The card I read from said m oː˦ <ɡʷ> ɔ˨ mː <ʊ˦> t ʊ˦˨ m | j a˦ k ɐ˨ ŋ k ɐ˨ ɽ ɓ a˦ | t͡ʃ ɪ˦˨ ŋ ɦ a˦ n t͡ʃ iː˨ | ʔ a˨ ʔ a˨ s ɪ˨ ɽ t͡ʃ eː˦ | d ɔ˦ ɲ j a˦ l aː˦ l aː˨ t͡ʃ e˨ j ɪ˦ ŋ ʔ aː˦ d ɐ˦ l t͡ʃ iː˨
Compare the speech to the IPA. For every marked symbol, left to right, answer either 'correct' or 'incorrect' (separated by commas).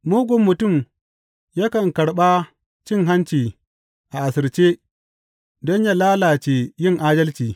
correct, incorrect